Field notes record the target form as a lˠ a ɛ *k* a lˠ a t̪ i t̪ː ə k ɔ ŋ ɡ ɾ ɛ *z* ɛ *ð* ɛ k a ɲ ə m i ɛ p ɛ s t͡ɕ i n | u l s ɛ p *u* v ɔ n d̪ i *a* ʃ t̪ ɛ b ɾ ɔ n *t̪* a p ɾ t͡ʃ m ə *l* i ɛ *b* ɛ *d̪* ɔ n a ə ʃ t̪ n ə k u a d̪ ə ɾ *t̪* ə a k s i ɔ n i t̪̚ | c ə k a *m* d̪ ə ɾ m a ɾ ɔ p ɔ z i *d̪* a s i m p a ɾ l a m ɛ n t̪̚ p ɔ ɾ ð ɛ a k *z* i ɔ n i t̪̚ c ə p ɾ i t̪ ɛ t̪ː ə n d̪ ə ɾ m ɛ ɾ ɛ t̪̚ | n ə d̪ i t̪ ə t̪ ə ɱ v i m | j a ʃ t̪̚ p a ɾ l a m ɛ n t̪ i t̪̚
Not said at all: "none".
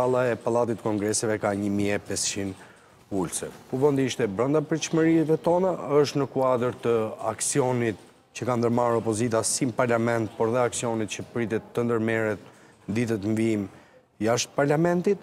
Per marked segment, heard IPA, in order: p, s, v, u, i, d̪, ɾ, v, t̪, t̪, n, t̪, s

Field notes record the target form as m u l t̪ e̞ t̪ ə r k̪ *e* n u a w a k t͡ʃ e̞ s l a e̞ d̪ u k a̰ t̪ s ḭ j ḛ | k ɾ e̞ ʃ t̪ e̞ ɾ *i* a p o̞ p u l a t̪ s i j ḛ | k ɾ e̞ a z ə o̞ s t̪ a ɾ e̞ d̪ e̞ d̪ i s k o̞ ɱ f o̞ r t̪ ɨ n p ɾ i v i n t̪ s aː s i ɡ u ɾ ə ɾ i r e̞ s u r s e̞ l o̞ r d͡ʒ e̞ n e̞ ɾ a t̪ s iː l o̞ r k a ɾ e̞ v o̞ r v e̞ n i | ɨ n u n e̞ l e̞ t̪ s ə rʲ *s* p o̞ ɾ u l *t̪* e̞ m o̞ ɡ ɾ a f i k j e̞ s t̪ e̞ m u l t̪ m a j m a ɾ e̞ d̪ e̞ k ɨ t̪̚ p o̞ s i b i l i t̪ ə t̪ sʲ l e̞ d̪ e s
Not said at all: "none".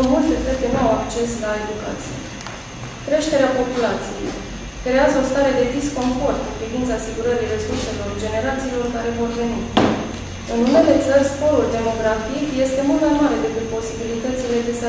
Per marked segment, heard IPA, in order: e, e, s, d̪

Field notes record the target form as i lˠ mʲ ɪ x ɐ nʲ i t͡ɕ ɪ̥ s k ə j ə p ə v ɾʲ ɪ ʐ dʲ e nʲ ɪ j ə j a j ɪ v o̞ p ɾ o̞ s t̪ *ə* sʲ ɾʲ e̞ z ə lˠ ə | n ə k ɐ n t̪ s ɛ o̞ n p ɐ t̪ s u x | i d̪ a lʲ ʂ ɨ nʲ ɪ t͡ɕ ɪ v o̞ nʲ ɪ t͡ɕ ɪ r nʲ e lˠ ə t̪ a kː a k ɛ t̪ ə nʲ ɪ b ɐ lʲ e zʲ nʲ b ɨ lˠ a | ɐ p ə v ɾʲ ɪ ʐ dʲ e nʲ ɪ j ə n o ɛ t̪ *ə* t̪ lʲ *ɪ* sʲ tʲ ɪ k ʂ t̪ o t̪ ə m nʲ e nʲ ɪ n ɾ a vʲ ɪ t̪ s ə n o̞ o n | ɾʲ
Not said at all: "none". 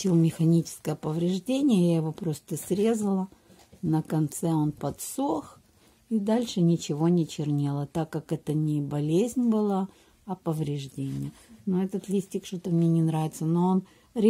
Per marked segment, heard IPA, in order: ə, ə, i

